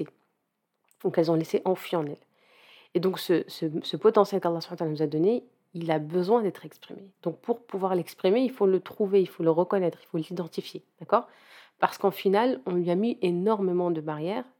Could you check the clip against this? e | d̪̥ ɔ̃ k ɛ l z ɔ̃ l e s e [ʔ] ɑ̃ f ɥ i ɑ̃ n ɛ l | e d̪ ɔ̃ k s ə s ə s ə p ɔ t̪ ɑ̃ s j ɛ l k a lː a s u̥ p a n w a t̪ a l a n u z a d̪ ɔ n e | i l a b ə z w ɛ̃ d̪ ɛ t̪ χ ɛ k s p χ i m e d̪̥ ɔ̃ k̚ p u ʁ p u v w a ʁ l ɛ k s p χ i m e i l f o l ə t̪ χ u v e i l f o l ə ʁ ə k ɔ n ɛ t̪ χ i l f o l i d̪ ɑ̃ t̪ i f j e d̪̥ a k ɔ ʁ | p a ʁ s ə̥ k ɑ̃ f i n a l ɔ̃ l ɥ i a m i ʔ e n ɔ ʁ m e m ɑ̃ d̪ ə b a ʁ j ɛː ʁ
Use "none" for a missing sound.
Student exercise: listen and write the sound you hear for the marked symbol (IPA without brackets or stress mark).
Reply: ʔ